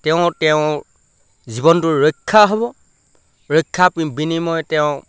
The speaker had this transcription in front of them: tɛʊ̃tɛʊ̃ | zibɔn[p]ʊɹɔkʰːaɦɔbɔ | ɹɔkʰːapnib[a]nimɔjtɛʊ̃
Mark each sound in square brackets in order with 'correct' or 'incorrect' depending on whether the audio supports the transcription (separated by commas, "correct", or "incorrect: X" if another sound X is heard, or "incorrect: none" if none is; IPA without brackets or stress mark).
incorrect: t, incorrect: i